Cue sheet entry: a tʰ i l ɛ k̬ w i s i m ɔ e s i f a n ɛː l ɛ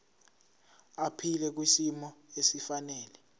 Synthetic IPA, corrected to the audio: a pʰ i l ɛ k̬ w i s i m ɔ e s i f a n ɛː l ɛ